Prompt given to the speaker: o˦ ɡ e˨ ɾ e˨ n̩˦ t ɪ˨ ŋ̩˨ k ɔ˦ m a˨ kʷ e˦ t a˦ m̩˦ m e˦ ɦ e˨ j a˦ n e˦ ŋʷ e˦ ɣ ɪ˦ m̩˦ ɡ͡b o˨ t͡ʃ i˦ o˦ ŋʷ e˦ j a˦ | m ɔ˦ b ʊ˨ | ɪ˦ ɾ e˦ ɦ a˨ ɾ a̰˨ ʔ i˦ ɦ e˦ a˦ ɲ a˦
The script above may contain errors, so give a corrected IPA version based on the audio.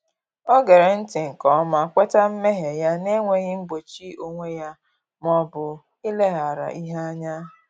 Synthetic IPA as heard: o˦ ɡ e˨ ɾ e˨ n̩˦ t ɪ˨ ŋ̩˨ k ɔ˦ m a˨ kʷ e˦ t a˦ m̩˦ m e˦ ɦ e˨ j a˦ n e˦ ŋʷ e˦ ɣ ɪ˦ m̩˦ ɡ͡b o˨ t͡ʃ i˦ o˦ ŋʷ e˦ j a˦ | m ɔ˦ b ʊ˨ | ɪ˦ l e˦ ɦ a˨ ɾ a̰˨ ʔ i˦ ɦ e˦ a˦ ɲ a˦